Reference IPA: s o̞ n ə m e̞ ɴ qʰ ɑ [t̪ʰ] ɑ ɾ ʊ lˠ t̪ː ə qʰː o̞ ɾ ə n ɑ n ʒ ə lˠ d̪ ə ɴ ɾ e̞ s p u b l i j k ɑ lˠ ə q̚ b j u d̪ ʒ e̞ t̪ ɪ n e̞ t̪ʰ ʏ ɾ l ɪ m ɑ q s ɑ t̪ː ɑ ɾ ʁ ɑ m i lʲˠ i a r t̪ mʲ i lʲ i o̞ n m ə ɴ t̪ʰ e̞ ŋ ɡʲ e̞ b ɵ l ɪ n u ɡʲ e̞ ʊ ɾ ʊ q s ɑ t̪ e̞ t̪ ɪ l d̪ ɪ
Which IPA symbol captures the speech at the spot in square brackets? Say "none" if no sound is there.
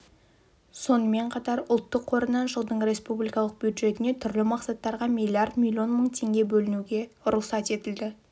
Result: t̪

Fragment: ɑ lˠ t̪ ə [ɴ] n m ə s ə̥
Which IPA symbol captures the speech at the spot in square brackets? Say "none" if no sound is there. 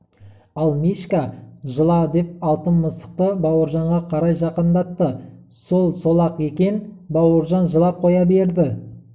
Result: none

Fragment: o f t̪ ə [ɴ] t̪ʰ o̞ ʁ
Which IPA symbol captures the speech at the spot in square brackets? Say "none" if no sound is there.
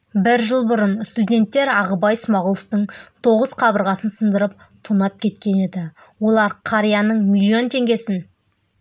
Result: ɴ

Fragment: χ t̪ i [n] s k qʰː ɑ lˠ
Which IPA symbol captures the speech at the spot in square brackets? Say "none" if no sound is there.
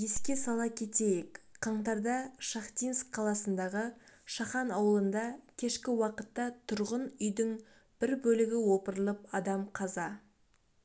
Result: n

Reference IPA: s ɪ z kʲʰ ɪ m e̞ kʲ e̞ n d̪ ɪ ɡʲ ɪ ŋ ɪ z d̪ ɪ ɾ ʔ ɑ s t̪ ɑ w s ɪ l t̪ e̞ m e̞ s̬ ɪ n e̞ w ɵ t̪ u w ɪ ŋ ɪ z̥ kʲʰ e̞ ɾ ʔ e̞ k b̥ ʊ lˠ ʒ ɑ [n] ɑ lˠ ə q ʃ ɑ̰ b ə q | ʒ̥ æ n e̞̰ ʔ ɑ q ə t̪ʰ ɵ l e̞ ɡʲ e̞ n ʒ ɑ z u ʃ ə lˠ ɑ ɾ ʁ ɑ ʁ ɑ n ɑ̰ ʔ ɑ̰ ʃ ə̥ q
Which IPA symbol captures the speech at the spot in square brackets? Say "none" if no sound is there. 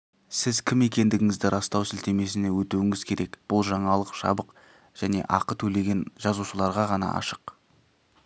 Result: ɴ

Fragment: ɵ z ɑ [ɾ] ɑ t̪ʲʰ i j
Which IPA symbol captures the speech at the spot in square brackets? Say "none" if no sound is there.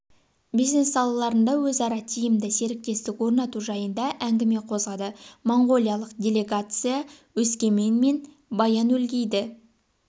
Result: ɾ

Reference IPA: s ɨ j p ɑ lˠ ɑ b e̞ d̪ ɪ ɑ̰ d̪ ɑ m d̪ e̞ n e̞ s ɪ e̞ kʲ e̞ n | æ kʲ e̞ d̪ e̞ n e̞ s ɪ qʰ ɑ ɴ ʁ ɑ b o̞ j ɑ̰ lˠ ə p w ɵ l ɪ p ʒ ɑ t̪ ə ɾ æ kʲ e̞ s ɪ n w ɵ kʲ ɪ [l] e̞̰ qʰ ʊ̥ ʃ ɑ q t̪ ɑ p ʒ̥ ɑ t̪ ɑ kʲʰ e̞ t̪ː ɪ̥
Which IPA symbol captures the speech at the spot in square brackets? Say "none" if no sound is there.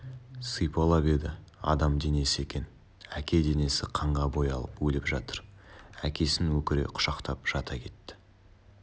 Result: ɾ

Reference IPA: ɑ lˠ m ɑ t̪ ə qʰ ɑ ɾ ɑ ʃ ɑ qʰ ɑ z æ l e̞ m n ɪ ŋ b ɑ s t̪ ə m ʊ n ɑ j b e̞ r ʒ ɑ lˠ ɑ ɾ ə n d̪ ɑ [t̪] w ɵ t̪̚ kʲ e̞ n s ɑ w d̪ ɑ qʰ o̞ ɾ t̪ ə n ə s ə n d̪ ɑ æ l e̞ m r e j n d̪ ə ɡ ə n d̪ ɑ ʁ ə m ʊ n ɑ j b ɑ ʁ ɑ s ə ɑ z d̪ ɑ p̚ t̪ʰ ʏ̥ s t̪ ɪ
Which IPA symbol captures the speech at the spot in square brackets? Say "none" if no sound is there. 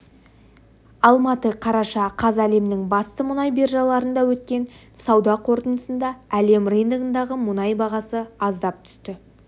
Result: none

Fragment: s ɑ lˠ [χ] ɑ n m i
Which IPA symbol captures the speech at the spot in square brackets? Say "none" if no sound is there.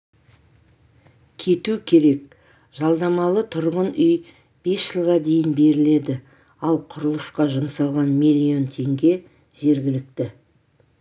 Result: ʁ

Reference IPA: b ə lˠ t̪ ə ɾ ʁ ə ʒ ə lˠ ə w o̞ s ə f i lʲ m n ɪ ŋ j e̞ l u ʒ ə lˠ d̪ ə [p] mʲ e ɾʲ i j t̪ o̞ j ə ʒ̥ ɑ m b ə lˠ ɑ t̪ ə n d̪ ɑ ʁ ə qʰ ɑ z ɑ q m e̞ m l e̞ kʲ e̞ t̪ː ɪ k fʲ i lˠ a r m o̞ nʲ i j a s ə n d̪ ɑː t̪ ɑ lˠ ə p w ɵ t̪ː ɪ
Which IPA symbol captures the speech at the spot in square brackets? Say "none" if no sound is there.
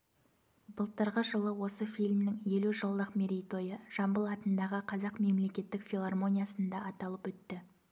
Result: q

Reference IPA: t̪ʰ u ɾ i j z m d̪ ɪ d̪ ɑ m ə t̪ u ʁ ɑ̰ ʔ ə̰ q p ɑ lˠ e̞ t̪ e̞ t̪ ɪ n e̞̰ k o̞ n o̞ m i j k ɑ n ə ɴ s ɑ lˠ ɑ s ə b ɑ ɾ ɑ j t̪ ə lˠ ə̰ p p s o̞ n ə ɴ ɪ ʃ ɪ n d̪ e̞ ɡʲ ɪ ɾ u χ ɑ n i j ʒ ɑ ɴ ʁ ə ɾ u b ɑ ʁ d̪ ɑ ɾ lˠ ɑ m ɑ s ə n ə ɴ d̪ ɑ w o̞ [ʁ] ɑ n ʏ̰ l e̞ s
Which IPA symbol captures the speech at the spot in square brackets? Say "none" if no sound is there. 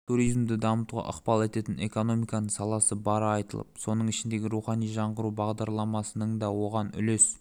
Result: ʁ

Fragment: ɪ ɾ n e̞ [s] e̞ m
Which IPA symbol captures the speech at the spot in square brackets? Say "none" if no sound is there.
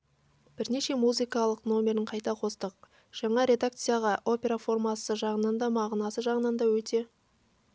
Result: ʃ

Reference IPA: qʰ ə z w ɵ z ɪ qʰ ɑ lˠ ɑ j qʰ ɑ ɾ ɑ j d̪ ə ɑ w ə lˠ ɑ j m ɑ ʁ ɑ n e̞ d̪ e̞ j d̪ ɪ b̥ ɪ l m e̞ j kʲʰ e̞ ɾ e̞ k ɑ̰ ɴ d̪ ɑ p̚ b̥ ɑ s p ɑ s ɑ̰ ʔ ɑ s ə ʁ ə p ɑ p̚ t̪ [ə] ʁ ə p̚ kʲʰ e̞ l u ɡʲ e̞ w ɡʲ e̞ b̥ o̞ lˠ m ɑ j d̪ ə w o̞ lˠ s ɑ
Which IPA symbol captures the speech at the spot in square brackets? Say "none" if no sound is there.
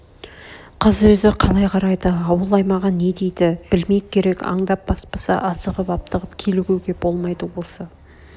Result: ə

